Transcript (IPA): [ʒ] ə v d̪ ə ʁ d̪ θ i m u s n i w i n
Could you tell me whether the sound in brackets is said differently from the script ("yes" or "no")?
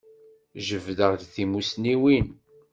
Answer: no